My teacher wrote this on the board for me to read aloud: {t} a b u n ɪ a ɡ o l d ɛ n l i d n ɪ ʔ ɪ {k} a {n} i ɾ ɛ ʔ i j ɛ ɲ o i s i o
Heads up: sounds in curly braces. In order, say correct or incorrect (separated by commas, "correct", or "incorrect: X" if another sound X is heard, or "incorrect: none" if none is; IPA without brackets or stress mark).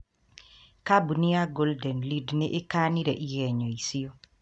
incorrect: k, correct, correct